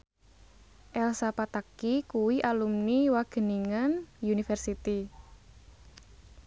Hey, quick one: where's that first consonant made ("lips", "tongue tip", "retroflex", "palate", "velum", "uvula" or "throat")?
throat